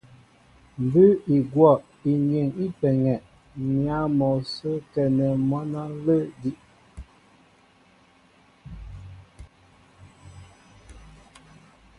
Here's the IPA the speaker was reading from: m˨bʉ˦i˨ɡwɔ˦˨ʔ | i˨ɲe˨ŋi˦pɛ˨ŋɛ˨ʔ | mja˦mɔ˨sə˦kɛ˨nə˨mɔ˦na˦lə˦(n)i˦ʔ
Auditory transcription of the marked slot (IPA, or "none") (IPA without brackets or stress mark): d